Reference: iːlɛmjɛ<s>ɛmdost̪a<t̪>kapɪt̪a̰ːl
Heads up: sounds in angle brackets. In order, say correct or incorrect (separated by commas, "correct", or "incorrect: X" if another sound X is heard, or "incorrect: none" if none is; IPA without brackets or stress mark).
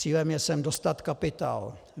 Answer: correct, correct